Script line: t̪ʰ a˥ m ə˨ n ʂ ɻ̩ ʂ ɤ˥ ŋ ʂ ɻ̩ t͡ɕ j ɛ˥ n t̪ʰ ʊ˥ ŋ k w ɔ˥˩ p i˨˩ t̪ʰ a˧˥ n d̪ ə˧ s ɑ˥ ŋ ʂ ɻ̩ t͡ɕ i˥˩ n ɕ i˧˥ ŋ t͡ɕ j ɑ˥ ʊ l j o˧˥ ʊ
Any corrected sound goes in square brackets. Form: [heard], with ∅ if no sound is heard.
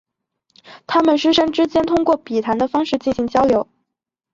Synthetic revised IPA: t̪ʰ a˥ m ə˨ n ʂ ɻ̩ ʂ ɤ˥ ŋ [ʈ͡ʂ] ɻ̩ t͡ɕ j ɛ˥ n t̪ʰ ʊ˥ ŋ k w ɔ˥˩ p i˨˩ t̪ʰ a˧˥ n d̪ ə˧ [f] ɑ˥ ŋ ʂ ɻ̩ t͡ɕ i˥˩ n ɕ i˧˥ ŋ t͡ɕ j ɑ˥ ʊ l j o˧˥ ʊ